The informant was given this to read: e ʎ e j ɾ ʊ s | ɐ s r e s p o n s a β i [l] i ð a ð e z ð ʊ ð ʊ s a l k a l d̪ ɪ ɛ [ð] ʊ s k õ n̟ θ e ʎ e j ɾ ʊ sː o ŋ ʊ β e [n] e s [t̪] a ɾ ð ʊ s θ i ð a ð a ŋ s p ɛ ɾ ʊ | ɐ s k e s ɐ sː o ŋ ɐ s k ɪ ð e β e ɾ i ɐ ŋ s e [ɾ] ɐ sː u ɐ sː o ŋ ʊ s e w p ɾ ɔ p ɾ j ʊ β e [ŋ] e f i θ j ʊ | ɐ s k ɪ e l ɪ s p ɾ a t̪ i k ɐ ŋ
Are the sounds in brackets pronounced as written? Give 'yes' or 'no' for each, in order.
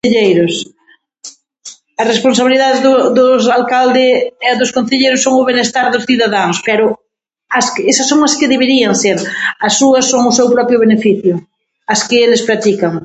yes, yes, yes, yes, yes, no

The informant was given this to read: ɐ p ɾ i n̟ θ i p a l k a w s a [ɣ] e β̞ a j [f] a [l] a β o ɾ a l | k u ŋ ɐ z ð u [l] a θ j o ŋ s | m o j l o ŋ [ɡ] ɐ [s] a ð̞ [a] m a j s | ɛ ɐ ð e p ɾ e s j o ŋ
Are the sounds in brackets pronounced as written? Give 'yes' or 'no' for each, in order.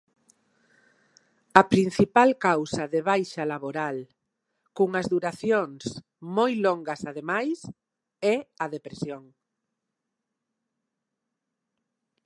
no, no, yes, no, yes, yes, no

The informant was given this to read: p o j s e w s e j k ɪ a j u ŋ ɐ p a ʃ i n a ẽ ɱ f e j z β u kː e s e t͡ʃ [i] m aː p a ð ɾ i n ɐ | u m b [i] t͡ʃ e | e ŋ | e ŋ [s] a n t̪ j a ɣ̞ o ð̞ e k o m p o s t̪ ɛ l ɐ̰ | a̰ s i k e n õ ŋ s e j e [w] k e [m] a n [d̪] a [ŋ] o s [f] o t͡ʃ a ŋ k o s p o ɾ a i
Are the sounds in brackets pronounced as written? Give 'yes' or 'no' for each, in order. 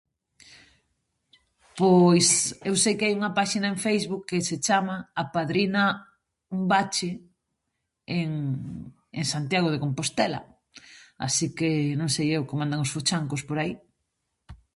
no, no, yes, yes, yes, yes, yes, yes

